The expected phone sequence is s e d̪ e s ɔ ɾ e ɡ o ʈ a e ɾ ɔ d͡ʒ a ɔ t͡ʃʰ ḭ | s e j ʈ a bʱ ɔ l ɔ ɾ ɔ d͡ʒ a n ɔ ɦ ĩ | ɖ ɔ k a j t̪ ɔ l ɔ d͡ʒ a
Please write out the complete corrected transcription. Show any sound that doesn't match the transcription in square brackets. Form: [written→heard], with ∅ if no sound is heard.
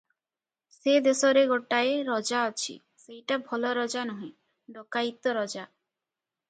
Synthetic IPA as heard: s e d̪ e s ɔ ɾ e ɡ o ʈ a e ɾ ɔ d͡ʒ a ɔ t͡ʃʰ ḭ | s e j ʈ a bʱ ɔ l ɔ ɾ ɔ d͡ʒ a n ɔ ɦ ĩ | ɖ ɔ k a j t̪ ɔ [l→ɾ] ɔ d͡ʒ a